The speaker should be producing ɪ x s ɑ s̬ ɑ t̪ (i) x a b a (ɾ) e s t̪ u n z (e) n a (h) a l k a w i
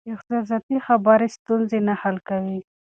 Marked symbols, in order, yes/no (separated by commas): yes, yes, yes, yes